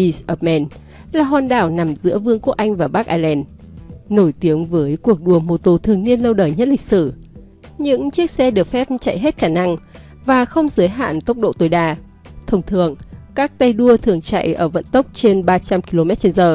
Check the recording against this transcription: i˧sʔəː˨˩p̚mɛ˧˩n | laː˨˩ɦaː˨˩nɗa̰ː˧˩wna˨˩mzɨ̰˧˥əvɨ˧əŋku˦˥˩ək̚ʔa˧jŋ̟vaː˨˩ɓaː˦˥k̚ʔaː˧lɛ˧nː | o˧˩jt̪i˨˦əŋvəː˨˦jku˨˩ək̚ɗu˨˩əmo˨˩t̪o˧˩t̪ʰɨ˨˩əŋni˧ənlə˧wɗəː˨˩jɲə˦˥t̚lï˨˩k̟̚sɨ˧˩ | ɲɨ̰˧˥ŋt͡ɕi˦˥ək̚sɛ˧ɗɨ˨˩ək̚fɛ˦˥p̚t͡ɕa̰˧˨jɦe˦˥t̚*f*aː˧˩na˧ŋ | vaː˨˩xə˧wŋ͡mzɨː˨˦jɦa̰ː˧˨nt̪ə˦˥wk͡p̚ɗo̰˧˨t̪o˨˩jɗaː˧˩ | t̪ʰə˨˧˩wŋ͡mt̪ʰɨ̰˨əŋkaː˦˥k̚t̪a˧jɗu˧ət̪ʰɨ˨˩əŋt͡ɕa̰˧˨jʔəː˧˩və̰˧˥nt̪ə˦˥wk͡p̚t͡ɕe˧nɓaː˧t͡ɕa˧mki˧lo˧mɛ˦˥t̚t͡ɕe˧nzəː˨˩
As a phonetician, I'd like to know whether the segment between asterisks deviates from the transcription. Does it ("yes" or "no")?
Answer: yes